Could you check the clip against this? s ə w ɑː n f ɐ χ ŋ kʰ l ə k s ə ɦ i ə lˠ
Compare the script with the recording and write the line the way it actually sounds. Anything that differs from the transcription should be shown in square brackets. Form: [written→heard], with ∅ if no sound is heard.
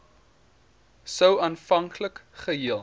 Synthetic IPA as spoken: s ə w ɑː n f ɐ [χ→∅] ŋ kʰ l ə k [s→χ] ə ɦ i ə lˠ